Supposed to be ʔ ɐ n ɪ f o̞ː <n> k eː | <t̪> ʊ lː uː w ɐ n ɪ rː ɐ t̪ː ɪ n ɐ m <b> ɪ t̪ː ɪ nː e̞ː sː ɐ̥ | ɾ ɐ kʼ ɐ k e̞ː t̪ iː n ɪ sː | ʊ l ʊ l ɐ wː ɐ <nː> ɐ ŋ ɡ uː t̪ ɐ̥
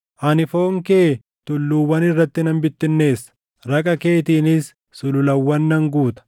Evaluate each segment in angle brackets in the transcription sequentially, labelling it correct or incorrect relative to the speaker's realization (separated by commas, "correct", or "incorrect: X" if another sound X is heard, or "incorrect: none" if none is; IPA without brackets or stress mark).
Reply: incorrect: ŋ, correct, correct, correct